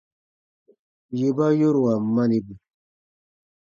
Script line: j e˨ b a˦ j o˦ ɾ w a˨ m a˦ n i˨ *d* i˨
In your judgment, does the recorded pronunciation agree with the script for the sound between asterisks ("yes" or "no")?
no